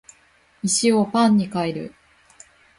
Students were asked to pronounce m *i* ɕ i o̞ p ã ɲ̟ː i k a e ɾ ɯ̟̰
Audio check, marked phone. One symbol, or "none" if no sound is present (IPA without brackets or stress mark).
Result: i